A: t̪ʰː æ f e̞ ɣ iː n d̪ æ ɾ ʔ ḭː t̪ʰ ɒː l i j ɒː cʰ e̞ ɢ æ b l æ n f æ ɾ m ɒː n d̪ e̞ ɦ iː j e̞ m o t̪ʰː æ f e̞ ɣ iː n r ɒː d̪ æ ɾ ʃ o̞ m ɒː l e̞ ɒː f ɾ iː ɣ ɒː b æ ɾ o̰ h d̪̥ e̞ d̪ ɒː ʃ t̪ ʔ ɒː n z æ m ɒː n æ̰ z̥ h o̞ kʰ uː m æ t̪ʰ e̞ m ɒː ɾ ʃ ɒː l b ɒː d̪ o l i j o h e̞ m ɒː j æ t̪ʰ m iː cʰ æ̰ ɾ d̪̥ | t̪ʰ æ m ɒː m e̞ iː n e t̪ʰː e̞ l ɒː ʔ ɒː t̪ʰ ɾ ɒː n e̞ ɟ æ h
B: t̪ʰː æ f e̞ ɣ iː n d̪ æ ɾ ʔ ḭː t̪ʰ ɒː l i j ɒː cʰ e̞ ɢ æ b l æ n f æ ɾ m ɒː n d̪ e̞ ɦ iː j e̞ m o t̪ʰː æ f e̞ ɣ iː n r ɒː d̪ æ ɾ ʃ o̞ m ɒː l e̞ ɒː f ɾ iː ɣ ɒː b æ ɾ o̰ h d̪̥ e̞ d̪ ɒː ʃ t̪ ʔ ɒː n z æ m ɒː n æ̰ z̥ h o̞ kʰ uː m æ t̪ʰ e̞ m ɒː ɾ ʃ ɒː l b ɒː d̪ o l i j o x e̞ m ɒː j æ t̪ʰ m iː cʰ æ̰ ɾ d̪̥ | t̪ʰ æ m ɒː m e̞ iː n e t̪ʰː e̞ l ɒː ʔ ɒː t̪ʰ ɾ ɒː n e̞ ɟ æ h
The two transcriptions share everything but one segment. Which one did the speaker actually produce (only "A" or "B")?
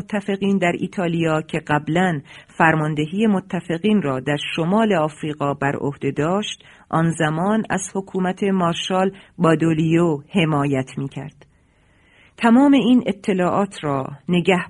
A